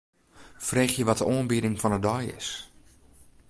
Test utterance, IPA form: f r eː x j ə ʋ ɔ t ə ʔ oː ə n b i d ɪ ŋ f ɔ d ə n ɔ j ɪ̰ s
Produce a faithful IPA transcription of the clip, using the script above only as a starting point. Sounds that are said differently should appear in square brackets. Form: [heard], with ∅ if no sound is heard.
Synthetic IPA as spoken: f r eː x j ə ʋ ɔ t ə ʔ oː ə n b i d ɪ ŋ f ɔ [n] ə [d] ɔ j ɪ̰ s